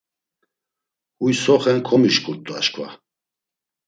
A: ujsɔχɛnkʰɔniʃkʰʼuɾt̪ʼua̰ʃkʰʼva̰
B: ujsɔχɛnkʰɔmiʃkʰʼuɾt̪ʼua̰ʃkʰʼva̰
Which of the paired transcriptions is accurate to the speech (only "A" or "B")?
B